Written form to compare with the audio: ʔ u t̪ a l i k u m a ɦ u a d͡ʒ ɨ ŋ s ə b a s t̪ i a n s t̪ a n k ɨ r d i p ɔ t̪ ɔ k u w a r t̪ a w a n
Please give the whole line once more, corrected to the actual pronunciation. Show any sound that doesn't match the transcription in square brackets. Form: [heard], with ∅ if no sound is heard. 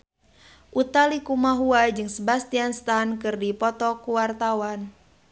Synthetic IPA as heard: ʔ u t̪ a l i k u m a ɦ u a d͡ʒ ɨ ŋ s ə b a s t̪ i a n s t̪ a n k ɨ r d i p ɔ t̪ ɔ k u w a r t̪ a w a n